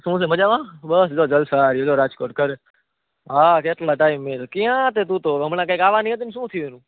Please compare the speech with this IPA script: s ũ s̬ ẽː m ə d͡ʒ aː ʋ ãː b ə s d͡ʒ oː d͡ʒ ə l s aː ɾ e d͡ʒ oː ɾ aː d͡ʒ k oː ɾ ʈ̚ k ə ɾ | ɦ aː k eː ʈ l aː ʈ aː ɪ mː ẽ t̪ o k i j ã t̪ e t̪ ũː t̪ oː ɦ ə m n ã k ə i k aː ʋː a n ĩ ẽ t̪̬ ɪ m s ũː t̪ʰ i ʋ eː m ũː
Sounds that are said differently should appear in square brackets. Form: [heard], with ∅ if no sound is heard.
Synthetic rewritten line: s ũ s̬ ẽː m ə d͡ʒ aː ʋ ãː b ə s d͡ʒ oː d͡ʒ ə l s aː ɾ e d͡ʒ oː ɾ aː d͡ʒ k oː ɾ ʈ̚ k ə ɾ | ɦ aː k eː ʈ l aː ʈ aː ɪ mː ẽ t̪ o k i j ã t̪ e t̪ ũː t̪ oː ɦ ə m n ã k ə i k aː [ʋ] a n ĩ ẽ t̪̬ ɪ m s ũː t̪ʰ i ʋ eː [n] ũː

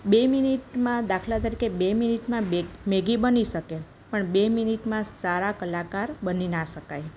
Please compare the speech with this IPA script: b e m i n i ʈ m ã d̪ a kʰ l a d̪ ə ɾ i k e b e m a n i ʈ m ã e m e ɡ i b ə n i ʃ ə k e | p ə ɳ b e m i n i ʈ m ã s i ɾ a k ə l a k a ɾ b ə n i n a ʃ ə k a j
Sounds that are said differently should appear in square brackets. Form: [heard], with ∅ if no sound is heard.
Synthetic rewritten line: b e m i n i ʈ m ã d̪ a kʰ l a [t̪] ə ɾ i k e b e m [i] n i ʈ m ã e m e ɡ i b ə n i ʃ ə k e | p ə ɳ b e m i n i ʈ m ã s [a] ɾ a k ə l a k a ɾ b ə n i n a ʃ ə k a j

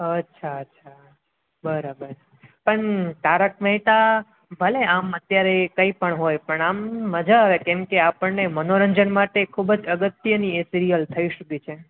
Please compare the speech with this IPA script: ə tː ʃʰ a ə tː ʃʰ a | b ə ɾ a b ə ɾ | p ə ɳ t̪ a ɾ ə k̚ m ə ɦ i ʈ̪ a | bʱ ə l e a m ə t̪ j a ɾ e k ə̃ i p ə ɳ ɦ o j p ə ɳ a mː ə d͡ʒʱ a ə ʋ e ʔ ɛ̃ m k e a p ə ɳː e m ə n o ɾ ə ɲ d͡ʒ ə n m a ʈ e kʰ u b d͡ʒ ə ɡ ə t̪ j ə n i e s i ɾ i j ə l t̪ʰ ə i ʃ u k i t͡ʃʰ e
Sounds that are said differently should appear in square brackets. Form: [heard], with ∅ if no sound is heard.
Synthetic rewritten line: ə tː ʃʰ a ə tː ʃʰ a | b ə ɾ a b ə ɾ | p ə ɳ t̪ a ɾ ə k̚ m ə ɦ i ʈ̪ a | bʱ ə l e a m ə t̪ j a ɾ e k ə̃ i p ə ɳ ɦ o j p ə ɳ a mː ə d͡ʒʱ a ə ʋ e [k] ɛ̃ m k e a p ə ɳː e m ə n o ɾ ə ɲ d͡ʒ ə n m a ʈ e kʰ u b d͡ʒ ə ɡ ə t̪ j ə n i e s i ɾ i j ə l t̪ʰ ə i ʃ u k i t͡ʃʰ e

